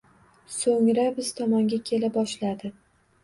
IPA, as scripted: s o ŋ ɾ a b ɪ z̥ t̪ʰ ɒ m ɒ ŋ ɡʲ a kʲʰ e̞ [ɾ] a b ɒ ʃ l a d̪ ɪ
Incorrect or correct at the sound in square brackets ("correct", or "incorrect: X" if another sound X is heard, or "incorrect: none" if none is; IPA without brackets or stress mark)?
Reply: incorrect: l